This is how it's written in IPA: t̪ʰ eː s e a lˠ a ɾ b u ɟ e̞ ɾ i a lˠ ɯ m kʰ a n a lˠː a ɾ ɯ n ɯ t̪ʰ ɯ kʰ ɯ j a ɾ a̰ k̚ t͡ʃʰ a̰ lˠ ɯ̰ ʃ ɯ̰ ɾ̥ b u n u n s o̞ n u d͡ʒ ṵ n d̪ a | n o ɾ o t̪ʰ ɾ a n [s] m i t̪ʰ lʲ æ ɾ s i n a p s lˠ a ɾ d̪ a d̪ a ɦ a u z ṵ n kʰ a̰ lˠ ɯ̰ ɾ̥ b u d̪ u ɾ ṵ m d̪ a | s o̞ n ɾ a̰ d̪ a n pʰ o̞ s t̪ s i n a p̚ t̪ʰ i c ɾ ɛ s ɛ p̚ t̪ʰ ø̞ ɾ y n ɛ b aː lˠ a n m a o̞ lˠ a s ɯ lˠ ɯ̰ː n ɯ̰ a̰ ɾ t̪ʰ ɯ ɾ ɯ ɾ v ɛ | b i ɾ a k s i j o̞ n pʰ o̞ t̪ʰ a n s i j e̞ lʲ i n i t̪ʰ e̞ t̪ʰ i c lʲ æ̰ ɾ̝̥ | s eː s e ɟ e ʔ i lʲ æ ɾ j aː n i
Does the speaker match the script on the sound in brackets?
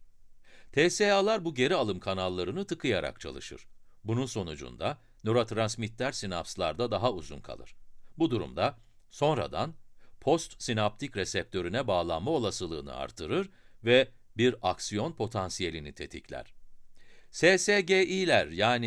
yes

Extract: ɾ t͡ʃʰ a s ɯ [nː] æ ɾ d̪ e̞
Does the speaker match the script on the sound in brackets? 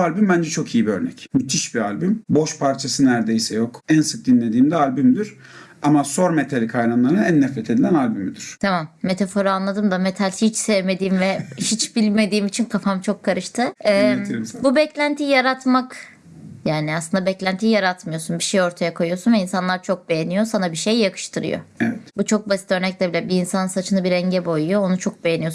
no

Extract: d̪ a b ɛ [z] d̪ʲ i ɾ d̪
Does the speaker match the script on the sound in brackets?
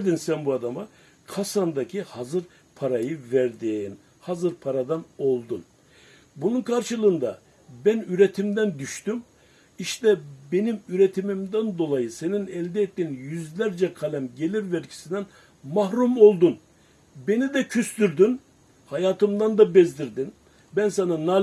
yes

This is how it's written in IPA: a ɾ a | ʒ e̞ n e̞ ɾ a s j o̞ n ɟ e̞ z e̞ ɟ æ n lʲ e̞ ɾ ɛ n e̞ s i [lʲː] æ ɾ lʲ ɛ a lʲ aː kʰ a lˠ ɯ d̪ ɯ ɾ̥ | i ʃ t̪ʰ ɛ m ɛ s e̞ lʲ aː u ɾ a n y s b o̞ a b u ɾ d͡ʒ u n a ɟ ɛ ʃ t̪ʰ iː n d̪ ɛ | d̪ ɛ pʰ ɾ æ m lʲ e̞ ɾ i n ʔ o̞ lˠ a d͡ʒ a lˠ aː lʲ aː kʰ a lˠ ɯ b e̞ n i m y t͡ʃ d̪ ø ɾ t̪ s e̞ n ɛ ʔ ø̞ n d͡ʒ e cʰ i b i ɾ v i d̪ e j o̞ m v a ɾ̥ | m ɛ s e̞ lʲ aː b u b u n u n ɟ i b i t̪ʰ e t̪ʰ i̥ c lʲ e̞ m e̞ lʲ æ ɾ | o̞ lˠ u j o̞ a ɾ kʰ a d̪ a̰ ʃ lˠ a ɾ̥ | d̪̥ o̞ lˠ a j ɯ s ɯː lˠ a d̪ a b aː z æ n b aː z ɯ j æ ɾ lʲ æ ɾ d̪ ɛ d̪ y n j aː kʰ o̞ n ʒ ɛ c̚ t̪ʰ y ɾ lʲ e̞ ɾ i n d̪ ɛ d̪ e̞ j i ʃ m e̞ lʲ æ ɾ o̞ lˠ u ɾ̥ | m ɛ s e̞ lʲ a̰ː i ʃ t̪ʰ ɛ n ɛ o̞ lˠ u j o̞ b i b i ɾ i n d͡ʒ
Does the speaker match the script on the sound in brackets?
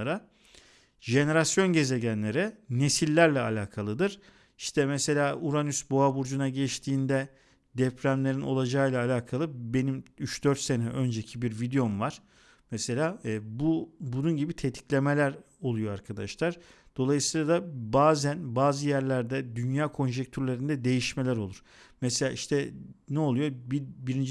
yes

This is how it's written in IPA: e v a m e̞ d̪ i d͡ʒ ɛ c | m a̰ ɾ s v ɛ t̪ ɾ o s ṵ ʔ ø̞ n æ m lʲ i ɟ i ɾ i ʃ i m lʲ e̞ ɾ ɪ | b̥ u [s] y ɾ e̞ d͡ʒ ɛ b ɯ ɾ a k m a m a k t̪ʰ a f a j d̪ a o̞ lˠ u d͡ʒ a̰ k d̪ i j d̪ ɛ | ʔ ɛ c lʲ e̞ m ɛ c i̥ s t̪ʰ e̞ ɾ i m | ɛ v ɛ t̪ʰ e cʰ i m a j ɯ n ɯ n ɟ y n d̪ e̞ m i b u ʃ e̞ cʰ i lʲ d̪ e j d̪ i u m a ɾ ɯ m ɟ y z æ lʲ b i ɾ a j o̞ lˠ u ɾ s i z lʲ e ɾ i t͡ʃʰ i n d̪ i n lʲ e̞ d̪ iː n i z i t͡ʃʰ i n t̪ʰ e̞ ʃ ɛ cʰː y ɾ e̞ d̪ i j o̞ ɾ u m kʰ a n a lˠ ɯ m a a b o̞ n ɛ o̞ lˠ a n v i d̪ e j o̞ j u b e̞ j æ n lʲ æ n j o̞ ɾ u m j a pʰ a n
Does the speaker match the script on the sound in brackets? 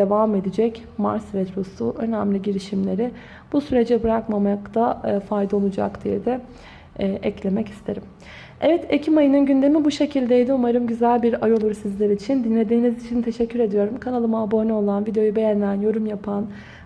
yes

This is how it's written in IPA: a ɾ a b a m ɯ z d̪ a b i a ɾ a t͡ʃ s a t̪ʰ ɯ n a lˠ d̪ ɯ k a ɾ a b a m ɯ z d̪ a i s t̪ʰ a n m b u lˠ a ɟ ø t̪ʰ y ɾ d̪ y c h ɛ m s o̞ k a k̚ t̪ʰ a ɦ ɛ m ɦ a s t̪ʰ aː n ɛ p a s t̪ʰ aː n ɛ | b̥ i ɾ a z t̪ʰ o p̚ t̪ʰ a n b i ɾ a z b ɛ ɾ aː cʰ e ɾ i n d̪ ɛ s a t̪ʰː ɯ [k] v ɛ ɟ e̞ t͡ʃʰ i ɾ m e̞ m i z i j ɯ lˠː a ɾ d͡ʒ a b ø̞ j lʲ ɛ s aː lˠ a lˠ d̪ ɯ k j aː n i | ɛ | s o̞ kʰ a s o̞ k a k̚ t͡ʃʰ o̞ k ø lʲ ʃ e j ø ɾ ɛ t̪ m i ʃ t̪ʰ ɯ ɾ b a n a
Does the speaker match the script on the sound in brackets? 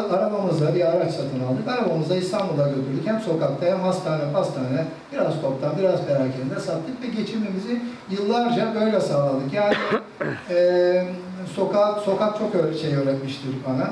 yes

